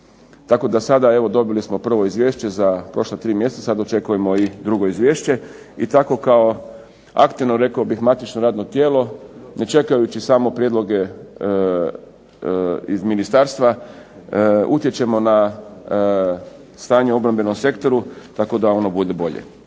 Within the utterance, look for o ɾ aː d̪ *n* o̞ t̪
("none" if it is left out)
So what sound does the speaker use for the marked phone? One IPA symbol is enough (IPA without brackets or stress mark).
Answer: n